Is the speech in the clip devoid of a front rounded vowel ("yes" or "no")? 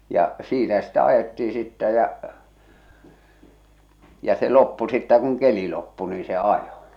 yes